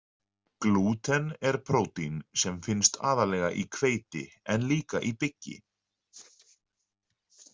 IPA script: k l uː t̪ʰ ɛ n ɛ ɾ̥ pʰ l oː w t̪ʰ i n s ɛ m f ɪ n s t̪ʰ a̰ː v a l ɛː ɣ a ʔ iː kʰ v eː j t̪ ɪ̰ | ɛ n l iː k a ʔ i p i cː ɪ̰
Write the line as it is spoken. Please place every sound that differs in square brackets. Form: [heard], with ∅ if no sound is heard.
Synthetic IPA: k l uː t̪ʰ ɛ n ɛ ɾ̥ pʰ [ɾ] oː w [t̪] i n s ɛ m f ɪ n s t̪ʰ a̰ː [ð] a l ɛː ɣ a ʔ [i] kʰ v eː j t̪ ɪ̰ | ɛ n l iː k a ʔ i p [ɪ] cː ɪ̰

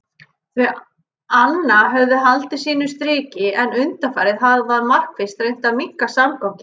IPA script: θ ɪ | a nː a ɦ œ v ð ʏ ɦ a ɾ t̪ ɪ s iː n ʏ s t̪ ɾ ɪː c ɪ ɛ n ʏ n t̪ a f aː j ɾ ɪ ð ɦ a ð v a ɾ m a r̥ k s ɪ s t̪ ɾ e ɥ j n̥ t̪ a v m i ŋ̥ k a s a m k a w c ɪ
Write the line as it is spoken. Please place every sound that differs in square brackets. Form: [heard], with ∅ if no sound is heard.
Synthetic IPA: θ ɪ | a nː a ɦ œ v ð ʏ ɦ a [l] t̪ ɪ s iː n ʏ s t̪ ɾ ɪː c ɪ ɛ n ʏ n t̪ a f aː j ɾ ɪ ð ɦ a ð v a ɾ m a r̥ k [f] ɪ s t̪ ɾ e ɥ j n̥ t̪ a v m i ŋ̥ k a s a m k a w c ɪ

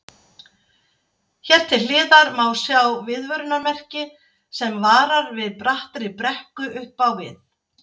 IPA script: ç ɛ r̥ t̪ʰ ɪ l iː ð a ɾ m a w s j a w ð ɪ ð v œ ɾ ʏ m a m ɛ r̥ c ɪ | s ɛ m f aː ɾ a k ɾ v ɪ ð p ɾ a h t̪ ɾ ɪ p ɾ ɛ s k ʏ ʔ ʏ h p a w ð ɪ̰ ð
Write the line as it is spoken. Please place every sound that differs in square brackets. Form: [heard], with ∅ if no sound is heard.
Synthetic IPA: ç ɛ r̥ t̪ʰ ɪ l [ɪː] ð a ɾ m a w s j a w [v] ɪ ð v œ ɾ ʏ [n] a m ɛ r̥ c ɪ | s ɛ m [v] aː ɾ a [∅] ɾ v ɪ ð p ɾ a h t̪ ɾ ɪ p ɾ ɛ [h] k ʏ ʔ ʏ h p a w [v] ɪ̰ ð

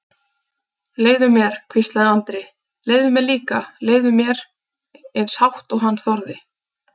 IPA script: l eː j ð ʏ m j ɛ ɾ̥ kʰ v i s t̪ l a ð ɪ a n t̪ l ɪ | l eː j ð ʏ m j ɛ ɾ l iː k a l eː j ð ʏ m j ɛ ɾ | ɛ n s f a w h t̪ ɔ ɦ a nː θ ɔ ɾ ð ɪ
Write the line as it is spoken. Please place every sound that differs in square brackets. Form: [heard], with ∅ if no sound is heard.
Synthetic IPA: l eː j ð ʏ m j ɛ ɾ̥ kʰ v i s t̪ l a ð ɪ a n t̪ [ɾ] ɪ | l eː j ð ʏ m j ɛ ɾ l iː k a l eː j ð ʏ m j ɛ ɾ | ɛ n s [h] a w h t̪ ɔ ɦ a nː θ ɔ ɾ ð ɪ

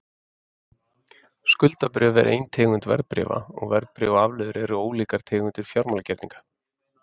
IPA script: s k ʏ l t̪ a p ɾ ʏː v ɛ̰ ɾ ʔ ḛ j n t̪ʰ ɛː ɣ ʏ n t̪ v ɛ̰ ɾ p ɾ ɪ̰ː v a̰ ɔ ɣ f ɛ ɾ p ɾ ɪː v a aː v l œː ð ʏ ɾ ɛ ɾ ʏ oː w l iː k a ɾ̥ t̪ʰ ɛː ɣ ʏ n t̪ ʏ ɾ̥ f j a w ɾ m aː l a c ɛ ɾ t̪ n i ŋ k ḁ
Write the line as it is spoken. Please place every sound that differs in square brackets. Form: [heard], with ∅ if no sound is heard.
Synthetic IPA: s k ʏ l t̪ a p ɾ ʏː v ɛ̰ ɾ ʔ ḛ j n t̪ʰ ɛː ɣ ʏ n t̪ v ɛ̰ ɾ p ɾ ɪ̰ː v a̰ ɔ ɣ [v] ɛ ɾ p ɾ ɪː v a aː v l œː ð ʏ ɾ ɛ ɾ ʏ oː w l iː k a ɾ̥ t̪ʰ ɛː ɣ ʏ n t̪ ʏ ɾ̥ f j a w ɾ m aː l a c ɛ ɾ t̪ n i ŋ k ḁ

